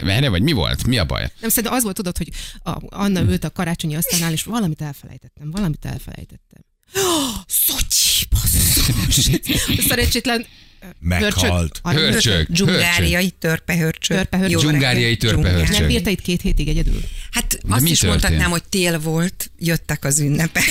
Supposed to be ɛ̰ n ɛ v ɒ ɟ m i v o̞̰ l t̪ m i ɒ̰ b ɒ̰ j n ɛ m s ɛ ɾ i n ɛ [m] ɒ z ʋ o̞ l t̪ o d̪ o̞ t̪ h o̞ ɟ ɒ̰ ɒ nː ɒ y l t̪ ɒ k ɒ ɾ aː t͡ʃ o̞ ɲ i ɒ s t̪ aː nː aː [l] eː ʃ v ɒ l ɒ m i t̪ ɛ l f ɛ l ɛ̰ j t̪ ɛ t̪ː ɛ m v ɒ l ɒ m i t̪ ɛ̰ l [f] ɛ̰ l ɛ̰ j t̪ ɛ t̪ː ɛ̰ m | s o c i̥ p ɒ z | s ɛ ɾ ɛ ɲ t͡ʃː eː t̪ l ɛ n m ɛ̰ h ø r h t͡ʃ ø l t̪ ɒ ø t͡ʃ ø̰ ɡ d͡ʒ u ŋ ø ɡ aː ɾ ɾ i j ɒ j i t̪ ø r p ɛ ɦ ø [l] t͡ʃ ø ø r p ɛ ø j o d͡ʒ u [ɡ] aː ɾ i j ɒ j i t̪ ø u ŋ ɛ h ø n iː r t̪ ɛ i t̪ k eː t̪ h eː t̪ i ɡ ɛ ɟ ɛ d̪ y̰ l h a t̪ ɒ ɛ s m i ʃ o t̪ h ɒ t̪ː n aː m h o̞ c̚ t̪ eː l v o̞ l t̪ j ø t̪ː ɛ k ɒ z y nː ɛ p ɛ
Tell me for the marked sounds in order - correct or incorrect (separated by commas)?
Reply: correct, correct, correct, incorrect, correct